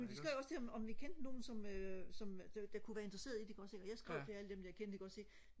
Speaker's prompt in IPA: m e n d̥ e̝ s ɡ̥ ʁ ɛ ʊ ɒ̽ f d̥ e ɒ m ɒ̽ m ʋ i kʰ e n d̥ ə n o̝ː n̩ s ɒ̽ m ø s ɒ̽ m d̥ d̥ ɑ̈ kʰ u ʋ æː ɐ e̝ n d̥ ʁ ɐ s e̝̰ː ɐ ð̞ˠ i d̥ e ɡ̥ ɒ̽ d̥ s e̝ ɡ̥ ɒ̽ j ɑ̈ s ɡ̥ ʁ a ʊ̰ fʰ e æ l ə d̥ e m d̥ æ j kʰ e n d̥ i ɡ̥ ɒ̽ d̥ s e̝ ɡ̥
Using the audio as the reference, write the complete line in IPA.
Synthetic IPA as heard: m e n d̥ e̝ s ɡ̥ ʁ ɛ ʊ ɒ̽ s d̥ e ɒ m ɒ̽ m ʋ i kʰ e n d̥ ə n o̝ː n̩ s ɒ̽ m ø s ɒ̽ m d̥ d̥ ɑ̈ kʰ u ʋ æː ɐ e̝ n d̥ ʁ ɐ s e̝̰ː ɐ ð̞ˠ i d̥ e ɡ̥ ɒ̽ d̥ s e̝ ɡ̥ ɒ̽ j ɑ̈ s ɡ̥ ʁ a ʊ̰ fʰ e æ l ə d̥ e m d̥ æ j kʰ e n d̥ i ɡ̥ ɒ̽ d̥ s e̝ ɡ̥